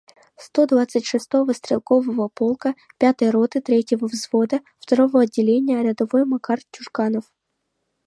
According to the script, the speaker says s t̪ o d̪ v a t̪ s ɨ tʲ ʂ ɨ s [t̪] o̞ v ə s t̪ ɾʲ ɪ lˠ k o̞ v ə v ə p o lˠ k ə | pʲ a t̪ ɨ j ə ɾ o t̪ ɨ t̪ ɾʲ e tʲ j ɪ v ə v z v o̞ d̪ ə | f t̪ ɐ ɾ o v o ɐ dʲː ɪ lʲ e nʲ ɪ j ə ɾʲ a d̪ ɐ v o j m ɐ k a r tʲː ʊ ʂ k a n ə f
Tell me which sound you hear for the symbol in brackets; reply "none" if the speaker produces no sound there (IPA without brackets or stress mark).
t̪